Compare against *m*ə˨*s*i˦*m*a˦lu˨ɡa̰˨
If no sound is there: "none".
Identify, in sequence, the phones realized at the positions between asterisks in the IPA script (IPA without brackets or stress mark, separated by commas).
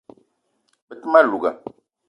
b, t, m